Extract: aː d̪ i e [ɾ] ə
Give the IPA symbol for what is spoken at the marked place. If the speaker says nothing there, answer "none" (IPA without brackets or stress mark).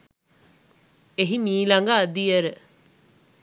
ɾ